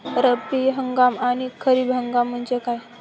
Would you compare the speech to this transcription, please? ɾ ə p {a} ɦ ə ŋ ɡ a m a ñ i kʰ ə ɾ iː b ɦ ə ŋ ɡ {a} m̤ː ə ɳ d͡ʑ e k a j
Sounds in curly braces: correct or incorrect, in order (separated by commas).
incorrect, correct